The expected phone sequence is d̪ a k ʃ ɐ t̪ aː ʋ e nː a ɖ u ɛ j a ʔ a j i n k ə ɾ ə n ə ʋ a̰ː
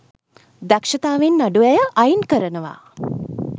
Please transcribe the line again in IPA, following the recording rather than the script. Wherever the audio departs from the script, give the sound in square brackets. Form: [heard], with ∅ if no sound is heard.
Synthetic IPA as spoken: d̪ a k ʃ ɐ t̪ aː ʋ e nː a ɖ u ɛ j [ə] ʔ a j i n k ə ɾ ə n ə ʋ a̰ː